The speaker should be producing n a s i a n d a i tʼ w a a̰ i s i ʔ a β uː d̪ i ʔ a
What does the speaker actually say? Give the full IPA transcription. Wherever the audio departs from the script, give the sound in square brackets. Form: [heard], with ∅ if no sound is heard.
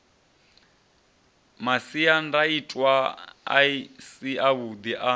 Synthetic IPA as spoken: [m] a s i a n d a i tʼ w a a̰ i s i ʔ a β [u] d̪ i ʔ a